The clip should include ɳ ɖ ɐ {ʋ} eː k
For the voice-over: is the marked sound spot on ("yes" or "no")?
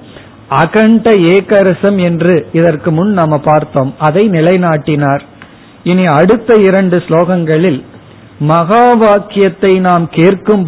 no